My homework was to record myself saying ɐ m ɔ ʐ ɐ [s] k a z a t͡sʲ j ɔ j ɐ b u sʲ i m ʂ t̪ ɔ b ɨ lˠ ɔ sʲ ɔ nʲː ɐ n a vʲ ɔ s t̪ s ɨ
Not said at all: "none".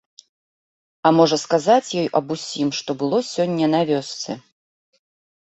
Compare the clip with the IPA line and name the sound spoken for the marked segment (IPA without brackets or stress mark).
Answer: s